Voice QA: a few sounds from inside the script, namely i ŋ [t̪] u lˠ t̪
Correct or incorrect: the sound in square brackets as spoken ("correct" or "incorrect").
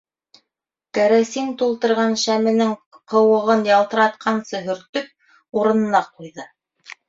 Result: correct